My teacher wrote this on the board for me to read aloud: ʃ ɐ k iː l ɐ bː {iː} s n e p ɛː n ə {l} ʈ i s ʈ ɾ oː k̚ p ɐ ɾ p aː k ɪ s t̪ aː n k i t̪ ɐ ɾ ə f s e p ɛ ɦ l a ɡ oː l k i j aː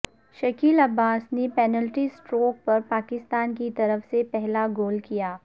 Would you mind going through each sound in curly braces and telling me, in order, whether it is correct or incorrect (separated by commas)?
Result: incorrect, correct